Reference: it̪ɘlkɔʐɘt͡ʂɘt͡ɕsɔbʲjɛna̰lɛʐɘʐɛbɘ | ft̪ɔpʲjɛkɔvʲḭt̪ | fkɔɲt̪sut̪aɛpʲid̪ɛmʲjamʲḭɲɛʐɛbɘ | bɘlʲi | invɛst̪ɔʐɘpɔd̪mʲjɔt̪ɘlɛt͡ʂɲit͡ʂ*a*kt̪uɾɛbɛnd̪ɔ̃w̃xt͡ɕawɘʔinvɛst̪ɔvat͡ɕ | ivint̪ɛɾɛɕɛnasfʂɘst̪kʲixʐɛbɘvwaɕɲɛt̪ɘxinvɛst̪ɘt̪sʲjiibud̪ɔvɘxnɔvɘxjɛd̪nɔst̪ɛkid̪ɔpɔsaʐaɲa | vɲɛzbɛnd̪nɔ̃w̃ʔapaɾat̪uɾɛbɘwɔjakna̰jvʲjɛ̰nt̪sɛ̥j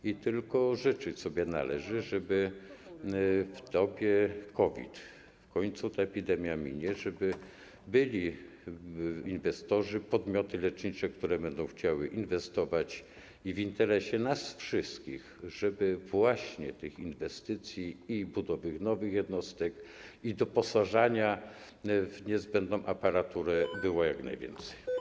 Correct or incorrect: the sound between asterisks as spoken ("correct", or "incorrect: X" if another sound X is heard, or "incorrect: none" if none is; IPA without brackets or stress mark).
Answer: incorrect: ɛ